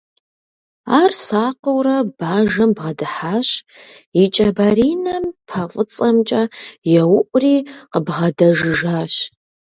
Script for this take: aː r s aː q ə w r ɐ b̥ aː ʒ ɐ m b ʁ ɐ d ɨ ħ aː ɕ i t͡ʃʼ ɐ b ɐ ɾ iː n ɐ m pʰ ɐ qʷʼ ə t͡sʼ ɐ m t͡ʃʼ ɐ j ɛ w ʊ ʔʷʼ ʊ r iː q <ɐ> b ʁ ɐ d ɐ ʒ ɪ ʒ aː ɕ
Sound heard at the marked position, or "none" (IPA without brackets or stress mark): ə